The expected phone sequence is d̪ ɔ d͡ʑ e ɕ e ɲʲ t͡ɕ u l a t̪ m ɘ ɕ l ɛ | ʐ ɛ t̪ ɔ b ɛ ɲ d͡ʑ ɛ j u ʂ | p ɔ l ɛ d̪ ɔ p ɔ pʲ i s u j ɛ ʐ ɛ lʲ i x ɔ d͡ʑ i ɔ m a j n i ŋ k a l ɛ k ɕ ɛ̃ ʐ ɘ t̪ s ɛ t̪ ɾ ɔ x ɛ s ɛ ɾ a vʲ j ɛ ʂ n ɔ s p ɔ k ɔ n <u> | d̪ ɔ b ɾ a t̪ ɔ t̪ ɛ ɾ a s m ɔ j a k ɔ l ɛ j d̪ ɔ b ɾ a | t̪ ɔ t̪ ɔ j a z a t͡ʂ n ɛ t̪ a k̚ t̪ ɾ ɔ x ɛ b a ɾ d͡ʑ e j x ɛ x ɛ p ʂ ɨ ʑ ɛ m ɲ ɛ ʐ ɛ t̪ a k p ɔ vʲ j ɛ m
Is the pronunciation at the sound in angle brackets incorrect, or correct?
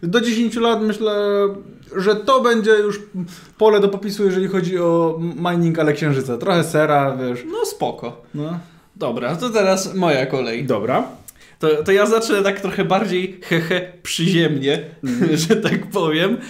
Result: incorrect